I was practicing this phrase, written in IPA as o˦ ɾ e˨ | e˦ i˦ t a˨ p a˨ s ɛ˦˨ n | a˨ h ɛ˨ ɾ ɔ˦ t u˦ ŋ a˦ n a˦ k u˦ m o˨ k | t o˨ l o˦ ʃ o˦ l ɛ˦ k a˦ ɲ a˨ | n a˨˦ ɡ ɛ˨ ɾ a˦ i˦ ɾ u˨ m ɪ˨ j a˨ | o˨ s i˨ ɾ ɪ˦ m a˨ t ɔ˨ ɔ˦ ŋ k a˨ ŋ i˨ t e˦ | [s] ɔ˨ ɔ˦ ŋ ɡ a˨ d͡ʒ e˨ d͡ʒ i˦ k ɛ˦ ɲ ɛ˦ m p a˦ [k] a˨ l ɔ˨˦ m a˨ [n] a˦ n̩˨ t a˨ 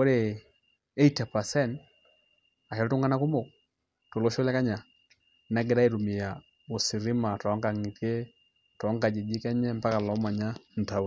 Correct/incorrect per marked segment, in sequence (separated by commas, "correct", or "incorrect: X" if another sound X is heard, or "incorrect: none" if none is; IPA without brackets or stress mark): incorrect: t, correct, incorrect: ɲ